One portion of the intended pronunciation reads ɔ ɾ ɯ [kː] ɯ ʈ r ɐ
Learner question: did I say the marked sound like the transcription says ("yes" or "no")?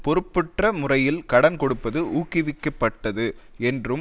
no